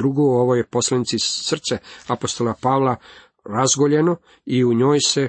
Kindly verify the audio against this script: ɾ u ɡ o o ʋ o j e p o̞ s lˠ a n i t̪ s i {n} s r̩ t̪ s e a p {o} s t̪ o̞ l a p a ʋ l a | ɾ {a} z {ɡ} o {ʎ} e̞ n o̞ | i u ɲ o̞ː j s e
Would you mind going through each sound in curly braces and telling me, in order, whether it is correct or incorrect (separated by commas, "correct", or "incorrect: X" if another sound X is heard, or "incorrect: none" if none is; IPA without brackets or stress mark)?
incorrect: none, correct, correct, correct, correct